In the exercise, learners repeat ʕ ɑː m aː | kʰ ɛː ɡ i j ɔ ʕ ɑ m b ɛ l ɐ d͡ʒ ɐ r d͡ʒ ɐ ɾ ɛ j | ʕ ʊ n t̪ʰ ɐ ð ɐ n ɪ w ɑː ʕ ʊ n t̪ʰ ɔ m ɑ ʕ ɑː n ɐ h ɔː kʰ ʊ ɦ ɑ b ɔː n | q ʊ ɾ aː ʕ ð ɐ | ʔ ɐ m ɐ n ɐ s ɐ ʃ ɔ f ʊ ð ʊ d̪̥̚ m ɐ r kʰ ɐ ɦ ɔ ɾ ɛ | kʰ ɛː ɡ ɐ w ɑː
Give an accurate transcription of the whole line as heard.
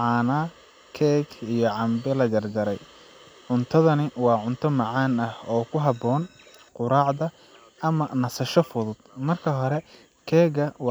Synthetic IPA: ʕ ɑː n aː | kʰ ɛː ɡ i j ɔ ʕ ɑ m b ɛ l ɐ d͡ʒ ɐ r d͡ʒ ɐ ɾ ɛ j | ʕ ʊ n t̪ʰ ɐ ð ɐ n ɪ w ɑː ʕ ʊ n t̪ʰ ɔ m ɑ ʕ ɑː n ɐ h ɔː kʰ ʊ ɦ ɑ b ɔː n | q ʊ ɾ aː ʕ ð ɐ | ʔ ɐ m ɐ n ɐ s ɐ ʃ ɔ f ʊ ð ʊ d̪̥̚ m ɐ r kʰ ɐ ɦ ɔ ɾ ɛ | kʰ ɛː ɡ ɐ w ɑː